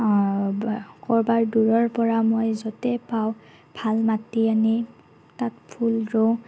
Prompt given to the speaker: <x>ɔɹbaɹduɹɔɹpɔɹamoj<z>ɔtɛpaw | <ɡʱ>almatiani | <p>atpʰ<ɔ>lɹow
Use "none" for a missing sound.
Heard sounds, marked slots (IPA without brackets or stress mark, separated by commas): k, z, bʱ, t, u